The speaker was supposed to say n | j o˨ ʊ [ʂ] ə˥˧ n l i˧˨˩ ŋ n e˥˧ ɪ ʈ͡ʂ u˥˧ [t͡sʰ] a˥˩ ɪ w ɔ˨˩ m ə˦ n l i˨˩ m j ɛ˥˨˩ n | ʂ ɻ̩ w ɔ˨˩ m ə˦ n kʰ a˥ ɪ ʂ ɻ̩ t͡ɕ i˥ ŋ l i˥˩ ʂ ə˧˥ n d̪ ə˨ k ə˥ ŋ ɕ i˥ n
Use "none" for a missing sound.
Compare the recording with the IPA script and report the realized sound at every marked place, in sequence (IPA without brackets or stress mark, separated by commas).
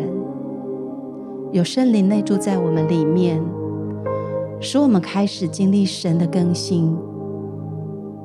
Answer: ʂ, t͡s